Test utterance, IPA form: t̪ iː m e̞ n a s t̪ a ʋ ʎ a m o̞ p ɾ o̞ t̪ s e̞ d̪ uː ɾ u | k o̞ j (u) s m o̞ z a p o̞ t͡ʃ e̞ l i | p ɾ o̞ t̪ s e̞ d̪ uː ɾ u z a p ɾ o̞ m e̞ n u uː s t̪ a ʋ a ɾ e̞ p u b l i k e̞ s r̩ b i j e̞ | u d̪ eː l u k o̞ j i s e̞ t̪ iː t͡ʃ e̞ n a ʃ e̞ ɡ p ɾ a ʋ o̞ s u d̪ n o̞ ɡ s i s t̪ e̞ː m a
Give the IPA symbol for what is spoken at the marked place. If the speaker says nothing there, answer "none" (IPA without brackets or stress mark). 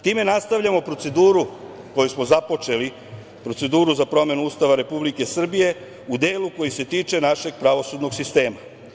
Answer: u